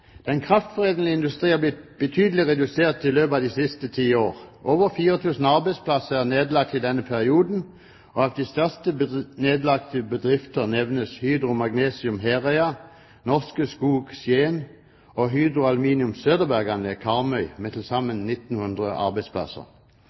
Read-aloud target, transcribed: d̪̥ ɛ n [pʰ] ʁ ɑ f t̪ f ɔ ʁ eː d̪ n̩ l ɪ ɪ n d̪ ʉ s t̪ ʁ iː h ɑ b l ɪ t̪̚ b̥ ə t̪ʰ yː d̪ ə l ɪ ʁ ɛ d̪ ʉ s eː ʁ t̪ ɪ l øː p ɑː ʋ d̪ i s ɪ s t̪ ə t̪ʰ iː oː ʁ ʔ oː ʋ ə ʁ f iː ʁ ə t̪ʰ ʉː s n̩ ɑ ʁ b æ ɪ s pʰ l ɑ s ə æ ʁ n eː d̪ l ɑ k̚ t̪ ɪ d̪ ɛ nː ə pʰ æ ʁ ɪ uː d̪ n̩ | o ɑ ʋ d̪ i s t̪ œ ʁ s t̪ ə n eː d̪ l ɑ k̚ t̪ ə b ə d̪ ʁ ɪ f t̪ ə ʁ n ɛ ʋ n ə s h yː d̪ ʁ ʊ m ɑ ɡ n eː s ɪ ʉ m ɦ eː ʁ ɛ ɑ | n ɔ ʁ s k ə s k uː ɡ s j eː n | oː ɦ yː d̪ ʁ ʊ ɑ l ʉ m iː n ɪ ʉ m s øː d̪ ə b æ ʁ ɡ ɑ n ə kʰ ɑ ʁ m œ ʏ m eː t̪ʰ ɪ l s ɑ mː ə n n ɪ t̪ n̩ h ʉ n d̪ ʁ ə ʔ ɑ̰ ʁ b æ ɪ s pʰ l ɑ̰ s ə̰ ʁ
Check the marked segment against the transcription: incorrect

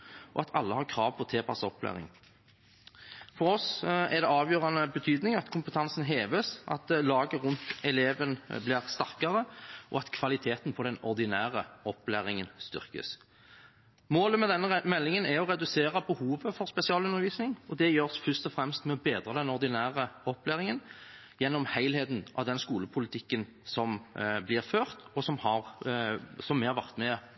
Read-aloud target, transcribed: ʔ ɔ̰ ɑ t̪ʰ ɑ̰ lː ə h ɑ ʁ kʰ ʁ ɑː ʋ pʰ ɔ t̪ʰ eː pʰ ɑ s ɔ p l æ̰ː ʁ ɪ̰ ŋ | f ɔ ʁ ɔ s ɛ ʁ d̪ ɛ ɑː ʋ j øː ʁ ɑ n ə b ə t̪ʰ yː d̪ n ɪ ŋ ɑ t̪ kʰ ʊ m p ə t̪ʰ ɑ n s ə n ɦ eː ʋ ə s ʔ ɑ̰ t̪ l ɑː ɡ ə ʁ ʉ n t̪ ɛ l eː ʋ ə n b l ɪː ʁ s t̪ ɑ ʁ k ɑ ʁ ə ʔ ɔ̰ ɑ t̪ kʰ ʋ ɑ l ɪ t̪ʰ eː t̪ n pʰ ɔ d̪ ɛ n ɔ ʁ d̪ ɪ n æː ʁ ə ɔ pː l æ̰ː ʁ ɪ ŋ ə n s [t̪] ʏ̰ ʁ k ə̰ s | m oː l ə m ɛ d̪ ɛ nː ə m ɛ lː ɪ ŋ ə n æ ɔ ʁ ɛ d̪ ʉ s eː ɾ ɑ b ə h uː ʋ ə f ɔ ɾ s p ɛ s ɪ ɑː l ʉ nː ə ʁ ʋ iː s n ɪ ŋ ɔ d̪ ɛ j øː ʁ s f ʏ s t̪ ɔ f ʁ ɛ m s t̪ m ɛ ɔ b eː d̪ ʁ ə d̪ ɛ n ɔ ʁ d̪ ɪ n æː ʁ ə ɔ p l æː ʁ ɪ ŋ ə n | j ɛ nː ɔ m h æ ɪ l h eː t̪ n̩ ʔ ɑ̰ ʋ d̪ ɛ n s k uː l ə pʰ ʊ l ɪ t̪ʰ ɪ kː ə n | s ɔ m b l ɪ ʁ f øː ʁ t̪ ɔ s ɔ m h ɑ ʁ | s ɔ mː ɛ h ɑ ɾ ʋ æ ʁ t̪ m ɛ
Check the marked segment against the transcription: correct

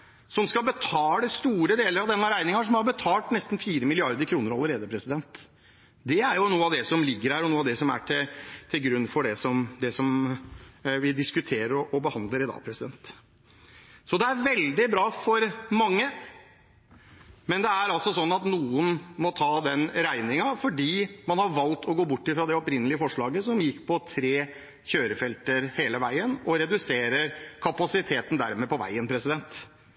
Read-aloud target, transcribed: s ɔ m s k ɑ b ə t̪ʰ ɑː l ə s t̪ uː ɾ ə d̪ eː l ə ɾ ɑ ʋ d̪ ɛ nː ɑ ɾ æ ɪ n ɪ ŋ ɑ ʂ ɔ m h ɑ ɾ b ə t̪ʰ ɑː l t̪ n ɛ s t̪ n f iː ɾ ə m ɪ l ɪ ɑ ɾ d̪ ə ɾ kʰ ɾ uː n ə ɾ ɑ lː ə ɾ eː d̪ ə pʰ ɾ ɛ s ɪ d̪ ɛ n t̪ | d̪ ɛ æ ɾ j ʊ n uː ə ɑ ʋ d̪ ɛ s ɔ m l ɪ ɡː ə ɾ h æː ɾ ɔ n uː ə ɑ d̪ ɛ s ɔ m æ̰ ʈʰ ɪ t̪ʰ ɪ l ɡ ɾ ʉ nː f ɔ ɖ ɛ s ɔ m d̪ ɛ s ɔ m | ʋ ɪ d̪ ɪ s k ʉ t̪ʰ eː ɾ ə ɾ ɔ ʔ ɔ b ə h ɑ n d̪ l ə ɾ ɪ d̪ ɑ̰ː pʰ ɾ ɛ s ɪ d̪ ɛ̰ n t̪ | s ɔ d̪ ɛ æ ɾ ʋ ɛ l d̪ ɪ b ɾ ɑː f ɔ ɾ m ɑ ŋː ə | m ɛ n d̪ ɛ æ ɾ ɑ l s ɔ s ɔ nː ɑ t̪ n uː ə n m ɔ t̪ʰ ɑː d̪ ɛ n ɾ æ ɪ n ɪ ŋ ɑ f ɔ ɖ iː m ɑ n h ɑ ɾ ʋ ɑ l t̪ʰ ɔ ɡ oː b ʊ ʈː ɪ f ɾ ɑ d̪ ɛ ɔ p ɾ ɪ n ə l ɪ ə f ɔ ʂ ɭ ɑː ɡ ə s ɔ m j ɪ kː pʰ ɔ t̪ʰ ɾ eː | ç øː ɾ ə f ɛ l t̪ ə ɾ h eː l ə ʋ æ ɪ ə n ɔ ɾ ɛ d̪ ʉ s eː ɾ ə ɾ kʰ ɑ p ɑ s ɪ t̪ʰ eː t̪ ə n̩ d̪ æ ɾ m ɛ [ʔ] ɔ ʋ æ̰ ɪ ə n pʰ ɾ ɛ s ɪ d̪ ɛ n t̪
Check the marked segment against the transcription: incorrect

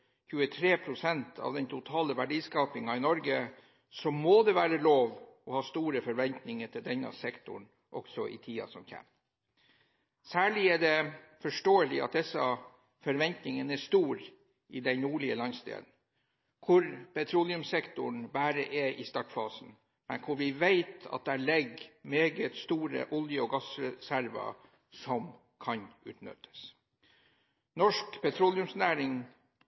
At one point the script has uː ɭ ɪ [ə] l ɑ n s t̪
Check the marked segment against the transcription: correct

